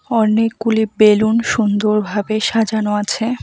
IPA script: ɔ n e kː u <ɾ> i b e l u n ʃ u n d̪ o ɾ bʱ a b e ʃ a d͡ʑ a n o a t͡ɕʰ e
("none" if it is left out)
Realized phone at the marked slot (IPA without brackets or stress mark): l